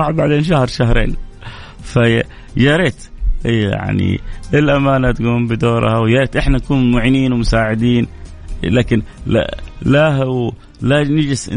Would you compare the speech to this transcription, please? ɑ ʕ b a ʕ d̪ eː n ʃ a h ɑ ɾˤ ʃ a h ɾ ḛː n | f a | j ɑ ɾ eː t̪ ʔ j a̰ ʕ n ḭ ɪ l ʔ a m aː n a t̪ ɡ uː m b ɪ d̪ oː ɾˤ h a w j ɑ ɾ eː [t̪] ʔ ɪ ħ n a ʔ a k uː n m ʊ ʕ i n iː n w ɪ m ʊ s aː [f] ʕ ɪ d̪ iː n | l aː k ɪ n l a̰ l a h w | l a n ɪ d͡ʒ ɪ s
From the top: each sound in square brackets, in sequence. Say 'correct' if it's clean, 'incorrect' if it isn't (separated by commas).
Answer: correct, incorrect